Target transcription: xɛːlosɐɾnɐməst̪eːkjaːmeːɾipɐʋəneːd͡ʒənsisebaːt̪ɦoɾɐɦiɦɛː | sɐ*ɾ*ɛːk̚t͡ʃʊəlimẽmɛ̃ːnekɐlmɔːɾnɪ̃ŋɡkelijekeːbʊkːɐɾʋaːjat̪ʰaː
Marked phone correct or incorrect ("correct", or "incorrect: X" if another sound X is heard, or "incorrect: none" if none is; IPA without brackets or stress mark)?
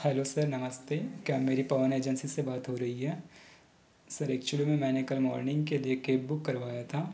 correct